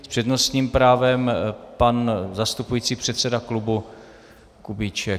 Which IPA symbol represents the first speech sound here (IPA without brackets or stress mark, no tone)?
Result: s